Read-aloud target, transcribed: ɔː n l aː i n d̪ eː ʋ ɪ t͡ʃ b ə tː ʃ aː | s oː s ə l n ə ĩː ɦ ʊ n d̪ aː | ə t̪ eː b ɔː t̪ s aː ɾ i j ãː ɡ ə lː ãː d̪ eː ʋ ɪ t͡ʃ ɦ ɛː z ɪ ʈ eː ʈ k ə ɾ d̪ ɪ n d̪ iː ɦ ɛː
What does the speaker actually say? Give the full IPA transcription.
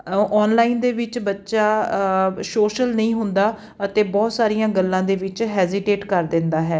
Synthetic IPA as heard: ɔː n l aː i n d̪ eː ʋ ɪ t͡ʃ b ə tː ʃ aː | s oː ʃ ə l n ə ĩː ɦ ʊ n d̪ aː | ə t̪ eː b ɔː t̪ s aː ɾ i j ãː ɡ ə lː ãː d̪ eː ʋ ɪ t͡ʃ ɦ ɛː z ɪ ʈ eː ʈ k ə ɾ d̪ ɪ n d̪ aː ɦ ɛː